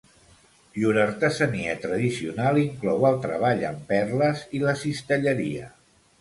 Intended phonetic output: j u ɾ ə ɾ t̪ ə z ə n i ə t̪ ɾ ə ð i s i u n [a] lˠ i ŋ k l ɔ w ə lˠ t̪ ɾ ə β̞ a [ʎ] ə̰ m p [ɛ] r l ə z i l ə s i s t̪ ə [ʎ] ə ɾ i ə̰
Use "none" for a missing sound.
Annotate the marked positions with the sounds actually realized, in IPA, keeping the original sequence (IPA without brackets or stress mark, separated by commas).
a, ʎ, ɛ, ʎ